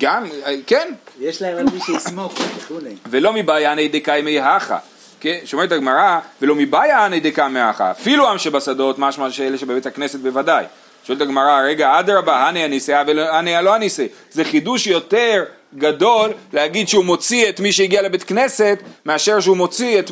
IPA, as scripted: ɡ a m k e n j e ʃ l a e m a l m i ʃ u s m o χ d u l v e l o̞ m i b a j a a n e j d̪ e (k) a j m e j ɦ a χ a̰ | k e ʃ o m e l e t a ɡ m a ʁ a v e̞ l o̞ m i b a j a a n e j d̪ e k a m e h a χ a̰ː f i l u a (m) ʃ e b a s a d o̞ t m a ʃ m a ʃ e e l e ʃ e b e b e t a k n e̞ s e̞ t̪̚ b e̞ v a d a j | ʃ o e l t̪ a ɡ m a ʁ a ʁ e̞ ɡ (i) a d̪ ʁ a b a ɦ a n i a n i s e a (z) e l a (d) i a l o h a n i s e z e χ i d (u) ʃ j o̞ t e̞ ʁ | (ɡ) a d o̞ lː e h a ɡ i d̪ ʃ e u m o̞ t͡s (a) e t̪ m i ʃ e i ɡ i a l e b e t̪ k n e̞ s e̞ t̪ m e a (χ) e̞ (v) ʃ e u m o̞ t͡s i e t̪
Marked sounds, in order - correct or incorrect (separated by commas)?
correct, correct, incorrect, incorrect, incorrect, correct, correct, incorrect, incorrect, incorrect